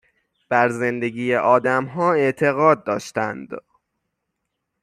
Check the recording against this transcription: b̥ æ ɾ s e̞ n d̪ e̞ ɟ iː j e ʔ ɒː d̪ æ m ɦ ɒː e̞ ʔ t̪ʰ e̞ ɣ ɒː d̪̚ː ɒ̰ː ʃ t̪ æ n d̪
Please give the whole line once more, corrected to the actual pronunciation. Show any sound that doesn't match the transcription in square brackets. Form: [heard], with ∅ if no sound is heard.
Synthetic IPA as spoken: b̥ æ ɾ [z] e̞ n d̪ e̞ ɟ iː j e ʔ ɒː d̪ æ m ɦ ɒː e̞ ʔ t̪ʰ e̞ ɣ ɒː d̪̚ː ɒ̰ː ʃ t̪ æ n d̪